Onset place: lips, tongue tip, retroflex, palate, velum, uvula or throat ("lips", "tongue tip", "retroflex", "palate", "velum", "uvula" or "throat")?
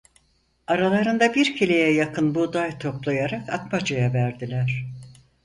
tongue tip